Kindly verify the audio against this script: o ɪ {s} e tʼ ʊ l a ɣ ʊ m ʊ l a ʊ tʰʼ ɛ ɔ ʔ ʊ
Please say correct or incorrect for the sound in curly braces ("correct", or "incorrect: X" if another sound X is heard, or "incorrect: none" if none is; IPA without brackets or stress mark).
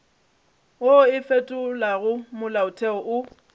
incorrect: f